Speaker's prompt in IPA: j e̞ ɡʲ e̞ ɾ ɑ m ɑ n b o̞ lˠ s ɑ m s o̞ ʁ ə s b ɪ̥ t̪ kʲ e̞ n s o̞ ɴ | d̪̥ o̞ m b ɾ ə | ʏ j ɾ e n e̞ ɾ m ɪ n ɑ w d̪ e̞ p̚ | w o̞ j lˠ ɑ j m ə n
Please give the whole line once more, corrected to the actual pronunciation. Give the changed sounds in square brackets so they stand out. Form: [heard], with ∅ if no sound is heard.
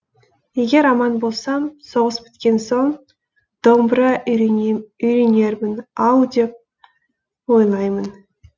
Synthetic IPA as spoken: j e̞ ɡʲ e̞ ɾ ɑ m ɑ n b o̞ lˠ s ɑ m s o̞ ʁ ə s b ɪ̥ t̪ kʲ e̞ n s o̞ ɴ | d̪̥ o̞ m b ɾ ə | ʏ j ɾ e n e̞ ɾ m ɪ n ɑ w d̪ e̞ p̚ | w o̞ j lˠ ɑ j m ə n